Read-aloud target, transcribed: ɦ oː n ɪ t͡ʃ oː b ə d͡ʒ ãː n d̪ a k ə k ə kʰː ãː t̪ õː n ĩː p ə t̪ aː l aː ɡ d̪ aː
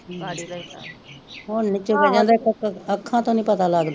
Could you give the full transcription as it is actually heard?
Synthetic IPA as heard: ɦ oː n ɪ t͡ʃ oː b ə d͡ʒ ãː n d̪ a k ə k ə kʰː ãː t̪ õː n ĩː p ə t̪ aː l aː ɡ d̪ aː